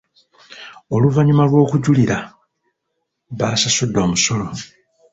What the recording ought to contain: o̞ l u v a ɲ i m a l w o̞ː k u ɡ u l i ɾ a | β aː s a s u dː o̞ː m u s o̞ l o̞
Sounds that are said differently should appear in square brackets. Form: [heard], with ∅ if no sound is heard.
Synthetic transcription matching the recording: o̞ l u v a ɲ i m a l w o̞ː k u [ɟ] u l i ɾ a | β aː s a s u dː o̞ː m u s o̞ l o̞